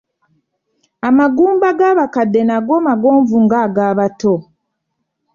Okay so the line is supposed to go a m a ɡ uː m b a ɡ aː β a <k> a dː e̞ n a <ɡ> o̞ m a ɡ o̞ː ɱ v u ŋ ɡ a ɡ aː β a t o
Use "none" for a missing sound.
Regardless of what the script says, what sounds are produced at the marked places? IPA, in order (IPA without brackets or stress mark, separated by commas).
k, ɡ